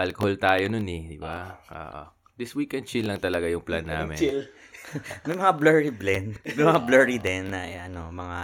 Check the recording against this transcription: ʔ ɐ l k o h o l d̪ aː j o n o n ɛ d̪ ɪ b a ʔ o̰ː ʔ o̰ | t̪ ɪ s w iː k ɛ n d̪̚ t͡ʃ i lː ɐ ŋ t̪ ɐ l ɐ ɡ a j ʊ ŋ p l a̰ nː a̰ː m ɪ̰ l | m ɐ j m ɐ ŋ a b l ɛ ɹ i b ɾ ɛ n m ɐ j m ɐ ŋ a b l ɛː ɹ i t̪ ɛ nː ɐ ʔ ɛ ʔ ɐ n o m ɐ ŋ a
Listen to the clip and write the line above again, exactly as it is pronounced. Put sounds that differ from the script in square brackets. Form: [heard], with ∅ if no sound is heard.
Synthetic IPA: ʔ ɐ l k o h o l [t̪] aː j o n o n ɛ d̪ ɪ b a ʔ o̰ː ʔ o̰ | [d̪] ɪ s w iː k ɛ n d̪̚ t͡ʃ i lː ɐ ŋ t̪ ɐ l ɐ ɡ a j ʊ ŋ p l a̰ nː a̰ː m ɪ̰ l | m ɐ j m ɐ ŋ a b l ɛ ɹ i b [l] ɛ n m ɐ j m ɐ ŋ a b l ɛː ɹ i [d̪] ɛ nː ɐ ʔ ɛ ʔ ɐ n o m ɐ ŋ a